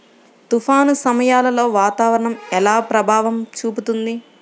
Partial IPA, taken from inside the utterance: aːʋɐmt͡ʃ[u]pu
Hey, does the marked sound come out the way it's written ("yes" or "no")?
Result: no